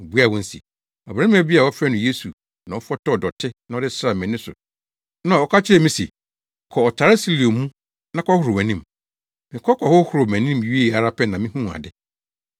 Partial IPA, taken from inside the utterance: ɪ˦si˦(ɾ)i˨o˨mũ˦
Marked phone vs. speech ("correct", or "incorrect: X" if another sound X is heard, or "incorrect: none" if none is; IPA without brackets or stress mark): incorrect: l